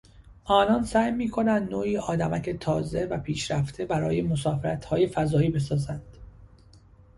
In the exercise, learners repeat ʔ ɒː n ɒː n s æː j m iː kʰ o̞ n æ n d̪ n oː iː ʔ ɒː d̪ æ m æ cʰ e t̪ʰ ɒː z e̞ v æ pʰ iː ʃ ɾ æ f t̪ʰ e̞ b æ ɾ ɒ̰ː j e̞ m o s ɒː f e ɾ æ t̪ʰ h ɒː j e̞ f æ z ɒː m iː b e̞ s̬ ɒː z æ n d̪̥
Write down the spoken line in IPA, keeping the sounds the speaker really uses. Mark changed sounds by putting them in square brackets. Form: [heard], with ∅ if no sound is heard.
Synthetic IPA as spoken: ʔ ɒː n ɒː n s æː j m iː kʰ o̞ n æ n d̪ n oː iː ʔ ɒː d̪ æ m æ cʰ e t̪ʰ ɒː z e̞ v æ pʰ iː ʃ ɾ æ f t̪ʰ e̞ b æ ɾ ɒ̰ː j e̞ m o s ɒː f e ɾ æ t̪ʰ h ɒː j e̞ f æ z ɒː [∅] iː b e̞ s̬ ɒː z æ n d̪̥